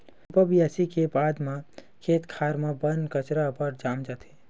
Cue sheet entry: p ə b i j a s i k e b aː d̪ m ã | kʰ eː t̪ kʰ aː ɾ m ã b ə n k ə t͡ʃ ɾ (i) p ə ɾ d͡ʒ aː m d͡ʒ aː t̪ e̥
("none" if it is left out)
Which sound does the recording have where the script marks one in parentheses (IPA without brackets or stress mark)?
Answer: a